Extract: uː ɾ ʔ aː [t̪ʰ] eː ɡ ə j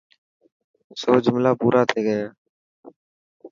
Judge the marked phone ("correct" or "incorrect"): correct